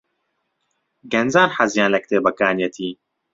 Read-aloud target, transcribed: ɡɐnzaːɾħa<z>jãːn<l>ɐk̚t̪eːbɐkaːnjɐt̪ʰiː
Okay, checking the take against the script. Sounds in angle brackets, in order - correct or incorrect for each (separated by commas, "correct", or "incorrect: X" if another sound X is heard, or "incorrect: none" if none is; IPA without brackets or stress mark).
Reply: correct, correct